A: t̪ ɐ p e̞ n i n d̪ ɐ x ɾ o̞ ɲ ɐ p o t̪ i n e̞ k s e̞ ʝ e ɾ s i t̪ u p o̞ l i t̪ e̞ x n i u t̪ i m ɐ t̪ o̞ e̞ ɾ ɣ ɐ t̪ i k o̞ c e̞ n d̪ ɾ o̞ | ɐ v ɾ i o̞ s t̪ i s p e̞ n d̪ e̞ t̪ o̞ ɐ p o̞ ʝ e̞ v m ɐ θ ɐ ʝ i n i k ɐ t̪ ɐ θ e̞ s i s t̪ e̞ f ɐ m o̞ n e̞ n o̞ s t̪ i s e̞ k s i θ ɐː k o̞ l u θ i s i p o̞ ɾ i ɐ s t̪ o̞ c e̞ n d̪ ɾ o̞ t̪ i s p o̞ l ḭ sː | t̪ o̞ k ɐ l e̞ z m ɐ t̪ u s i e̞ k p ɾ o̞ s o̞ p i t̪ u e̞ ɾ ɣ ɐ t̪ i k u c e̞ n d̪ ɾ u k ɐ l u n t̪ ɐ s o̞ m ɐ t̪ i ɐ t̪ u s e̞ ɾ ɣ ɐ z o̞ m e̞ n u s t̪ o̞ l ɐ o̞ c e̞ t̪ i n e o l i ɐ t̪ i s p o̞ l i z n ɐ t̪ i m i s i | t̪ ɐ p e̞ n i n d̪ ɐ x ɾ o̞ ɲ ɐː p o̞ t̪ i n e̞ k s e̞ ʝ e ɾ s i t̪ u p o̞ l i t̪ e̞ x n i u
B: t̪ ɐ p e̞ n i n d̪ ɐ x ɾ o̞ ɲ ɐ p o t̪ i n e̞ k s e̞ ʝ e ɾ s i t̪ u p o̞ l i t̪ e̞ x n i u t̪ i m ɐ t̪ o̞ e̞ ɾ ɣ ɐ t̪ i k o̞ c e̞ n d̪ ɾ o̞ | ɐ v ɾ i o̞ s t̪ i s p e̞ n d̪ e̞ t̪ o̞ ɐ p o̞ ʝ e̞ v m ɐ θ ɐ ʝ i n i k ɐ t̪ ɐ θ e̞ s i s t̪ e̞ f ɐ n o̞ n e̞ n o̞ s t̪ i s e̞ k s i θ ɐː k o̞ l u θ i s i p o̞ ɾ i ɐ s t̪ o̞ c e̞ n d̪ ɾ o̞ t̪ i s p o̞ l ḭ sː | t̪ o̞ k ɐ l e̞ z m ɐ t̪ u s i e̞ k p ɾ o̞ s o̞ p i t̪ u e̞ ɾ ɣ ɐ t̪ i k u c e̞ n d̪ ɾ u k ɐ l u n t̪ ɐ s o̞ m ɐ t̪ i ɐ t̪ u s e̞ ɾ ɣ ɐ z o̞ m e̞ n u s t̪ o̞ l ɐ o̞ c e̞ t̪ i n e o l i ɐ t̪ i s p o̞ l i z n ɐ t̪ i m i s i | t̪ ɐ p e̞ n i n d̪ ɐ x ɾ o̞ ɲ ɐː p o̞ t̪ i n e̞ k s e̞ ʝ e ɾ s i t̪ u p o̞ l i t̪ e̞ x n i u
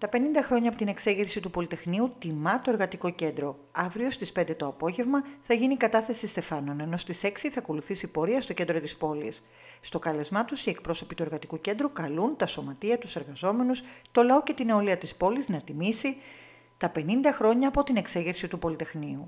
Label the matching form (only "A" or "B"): B